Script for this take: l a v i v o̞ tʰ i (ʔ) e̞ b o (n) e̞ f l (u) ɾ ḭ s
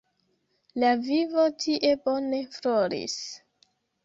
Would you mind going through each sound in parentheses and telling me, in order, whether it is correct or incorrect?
correct, correct, incorrect

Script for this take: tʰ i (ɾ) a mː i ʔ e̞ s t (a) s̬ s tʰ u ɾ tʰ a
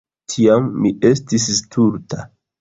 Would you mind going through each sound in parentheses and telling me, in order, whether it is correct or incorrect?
incorrect, incorrect

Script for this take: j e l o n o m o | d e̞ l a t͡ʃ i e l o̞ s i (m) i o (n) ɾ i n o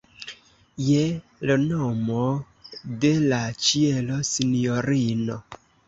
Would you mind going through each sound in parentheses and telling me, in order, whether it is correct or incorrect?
incorrect, incorrect

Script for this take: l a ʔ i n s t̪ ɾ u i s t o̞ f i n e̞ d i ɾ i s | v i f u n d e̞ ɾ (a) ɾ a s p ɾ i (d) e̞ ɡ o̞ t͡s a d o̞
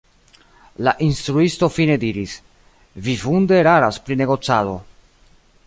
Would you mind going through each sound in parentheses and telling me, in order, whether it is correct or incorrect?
correct, incorrect

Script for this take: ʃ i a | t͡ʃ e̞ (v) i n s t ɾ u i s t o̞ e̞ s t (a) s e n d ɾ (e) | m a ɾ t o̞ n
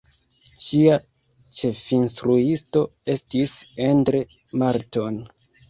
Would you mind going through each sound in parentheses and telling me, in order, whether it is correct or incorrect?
incorrect, incorrect, correct

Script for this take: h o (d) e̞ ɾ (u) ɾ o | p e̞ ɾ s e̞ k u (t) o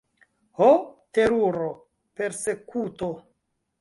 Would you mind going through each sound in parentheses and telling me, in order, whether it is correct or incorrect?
incorrect, correct, correct

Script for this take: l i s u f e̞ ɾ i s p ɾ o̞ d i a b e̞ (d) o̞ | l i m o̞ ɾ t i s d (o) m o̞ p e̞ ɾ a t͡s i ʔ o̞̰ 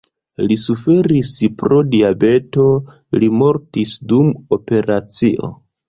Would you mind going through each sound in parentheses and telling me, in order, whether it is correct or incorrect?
incorrect, incorrect

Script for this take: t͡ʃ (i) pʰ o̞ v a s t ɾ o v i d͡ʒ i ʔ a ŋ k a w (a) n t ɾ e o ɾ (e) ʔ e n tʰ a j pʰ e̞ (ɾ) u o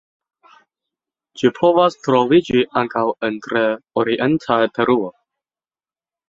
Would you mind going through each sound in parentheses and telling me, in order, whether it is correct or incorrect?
correct, incorrect, incorrect, correct

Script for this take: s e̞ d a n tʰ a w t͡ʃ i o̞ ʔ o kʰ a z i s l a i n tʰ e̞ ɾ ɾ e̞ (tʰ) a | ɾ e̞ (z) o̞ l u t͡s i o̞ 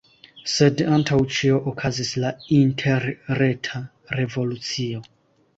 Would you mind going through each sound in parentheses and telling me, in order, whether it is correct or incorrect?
correct, incorrect

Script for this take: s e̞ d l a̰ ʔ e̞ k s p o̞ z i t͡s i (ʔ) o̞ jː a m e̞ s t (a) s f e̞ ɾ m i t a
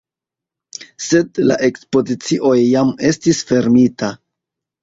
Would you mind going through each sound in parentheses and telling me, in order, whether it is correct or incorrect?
correct, incorrect

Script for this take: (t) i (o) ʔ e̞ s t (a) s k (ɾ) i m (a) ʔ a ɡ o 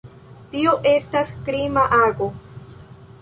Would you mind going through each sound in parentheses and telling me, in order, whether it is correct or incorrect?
correct, correct, correct, correct, correct

